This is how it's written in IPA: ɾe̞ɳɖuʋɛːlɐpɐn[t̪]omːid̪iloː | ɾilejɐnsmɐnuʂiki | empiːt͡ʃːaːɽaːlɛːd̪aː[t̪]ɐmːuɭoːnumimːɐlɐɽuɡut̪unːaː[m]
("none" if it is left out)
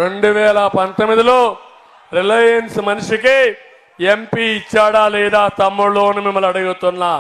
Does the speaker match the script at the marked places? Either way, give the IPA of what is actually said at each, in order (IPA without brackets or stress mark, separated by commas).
t̪, t̪, none